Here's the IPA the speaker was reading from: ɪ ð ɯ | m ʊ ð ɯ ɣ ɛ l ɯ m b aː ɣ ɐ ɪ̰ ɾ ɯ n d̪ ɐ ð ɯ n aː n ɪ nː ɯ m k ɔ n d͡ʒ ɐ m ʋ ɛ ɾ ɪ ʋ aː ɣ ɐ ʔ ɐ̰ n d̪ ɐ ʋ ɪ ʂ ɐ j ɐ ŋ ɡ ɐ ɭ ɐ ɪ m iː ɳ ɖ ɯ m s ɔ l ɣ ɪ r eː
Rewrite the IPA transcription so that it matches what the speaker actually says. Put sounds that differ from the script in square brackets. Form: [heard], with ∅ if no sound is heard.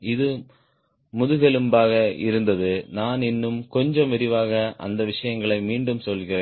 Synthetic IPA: ɪ ð ɯ | m ʊ ð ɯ ɣ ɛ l ɯ m b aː ɣ ɐ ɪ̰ ɾ ɯ n d̪ ɐ ð ɯ n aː n ɪ nː ɯ m k ɔ [ɲ] d͡ʒ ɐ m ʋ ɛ ɾ ɪ ʋ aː ɣ ɐ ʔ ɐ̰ n d̪ ɐ ʋ ɪ ʂ ɐ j ɐ ŋ ɡ ɐ ɭ ɐ ɪ m iː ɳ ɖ ɯ m s ɔ l ɣ ɪ r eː